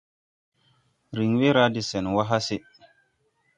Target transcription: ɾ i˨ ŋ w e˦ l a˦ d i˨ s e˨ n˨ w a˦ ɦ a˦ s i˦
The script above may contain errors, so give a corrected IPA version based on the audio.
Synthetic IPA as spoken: ɾ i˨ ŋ w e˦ ɾ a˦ d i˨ s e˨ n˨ w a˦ ɦ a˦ s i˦